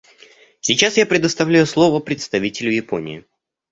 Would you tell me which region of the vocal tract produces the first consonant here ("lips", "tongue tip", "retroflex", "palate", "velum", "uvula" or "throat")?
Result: tongue tip